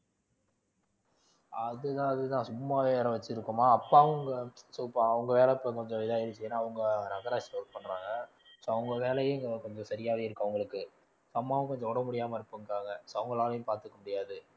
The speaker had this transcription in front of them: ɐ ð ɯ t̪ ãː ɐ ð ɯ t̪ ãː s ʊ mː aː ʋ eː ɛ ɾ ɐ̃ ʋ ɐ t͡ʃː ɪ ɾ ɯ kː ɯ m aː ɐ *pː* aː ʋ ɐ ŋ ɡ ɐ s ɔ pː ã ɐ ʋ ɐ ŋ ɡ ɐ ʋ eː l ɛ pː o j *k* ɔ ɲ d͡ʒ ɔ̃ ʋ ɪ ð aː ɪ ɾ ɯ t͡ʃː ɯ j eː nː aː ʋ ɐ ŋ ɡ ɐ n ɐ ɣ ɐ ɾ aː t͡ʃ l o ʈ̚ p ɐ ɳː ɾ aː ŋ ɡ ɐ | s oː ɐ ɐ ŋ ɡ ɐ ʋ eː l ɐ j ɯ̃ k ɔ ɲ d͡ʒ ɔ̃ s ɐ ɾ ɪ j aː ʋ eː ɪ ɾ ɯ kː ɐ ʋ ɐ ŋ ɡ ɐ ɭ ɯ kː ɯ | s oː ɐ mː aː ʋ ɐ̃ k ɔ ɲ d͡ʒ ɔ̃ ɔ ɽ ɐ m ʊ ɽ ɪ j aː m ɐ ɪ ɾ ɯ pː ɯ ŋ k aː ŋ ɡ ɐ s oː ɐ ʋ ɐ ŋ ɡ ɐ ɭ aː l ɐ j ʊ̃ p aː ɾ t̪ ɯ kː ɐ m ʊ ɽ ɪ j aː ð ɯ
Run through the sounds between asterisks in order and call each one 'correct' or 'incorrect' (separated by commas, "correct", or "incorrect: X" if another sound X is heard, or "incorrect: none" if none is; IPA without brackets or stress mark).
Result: correct, correct